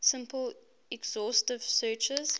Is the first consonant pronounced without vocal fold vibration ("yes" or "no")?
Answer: yes